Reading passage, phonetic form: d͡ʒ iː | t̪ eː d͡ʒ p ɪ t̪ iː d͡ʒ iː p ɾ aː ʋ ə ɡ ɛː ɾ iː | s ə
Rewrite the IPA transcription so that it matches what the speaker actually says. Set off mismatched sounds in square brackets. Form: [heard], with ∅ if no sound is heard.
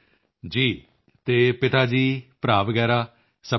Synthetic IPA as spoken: d͡ʒ iː | t̪ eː [∅] p ɪ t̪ [aː] d͡ʒ iː p ɾ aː ʋ ə ɡ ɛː ɾ [aː] | s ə